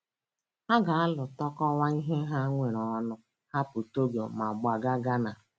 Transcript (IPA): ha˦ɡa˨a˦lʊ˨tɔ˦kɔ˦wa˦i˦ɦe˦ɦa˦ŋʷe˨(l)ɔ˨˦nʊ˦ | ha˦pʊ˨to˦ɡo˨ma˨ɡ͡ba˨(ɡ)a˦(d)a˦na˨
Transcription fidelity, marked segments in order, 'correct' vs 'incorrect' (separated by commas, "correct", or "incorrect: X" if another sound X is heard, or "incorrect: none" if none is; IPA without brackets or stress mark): incorrect: ɾ, correct, incorrect: ɡ